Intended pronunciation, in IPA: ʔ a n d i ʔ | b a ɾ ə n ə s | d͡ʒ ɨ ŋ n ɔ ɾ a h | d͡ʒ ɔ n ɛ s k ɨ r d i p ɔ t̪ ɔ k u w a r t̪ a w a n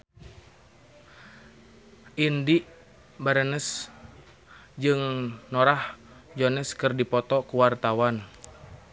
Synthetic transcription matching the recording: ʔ i n d i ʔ | b a ɾ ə n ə s | d͡ʒ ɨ ŋ n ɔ ɾ a h | d͡ʒ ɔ n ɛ s k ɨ r d i p ɔ t̪ ɔ k u w a r t̪ a w a n